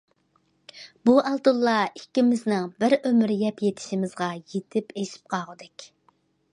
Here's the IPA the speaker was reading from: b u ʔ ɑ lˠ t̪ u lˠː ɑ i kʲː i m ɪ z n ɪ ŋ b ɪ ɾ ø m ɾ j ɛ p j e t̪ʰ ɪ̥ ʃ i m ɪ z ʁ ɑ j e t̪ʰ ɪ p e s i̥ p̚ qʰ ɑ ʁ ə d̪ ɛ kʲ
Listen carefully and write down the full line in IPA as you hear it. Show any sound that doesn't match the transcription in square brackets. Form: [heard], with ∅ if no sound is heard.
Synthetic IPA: b u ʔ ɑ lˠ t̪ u lˠː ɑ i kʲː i m ɪ z n ɪ ŋ b ɪ ɾ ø m ɾ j ɛ p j e t̪ʰ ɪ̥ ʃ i m ɪ z ʁ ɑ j e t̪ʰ ɪ p e [ʃ] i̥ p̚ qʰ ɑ ʁ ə d̪ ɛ kʲ

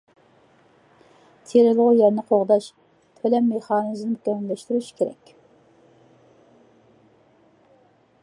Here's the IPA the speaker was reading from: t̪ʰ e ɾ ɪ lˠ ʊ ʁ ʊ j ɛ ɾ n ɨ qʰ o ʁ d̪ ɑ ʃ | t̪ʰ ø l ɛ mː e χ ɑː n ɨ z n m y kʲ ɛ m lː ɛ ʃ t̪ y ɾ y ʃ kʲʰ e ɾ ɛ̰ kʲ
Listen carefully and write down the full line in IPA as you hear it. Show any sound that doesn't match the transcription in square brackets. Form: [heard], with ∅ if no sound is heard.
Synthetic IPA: t̪ʰ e ɾ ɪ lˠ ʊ ʁ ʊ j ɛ ɾ n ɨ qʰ o ʁ d̪ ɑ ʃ | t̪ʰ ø l ɛ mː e χ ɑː n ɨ z n m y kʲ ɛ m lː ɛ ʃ t̪ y ɾ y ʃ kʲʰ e ɾ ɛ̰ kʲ

